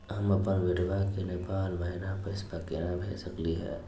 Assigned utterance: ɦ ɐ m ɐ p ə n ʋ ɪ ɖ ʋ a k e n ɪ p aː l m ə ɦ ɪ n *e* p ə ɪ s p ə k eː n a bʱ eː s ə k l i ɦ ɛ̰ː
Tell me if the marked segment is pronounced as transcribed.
no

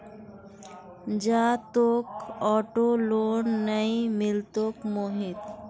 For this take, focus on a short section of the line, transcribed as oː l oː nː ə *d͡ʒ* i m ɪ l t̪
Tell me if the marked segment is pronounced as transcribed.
no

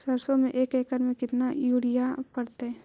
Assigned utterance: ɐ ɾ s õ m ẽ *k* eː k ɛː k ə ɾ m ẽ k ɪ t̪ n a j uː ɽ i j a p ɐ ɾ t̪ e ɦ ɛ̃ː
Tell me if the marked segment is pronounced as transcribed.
no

